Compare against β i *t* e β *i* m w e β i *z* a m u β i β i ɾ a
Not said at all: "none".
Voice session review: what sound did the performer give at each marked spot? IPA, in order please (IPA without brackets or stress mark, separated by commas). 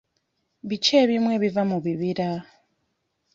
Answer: t͡ʃ, i, v